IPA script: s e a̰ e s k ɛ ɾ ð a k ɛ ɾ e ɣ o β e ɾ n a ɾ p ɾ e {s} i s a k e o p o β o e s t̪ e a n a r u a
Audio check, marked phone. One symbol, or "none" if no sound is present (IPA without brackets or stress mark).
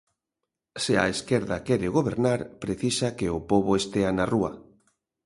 θ